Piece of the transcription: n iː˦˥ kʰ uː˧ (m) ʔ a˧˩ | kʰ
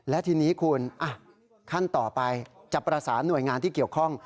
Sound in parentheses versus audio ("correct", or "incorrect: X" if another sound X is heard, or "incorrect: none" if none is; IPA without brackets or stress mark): incorrect: n